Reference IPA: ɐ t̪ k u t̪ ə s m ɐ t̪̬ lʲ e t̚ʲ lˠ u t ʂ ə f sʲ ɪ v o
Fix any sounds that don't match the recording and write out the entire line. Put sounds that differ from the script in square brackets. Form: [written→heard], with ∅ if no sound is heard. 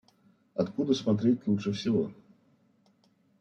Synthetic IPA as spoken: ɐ t̪ k u [t̪→d̪] ə s m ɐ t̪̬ [lʲ→ɾʲ] e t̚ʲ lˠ u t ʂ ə f sʲ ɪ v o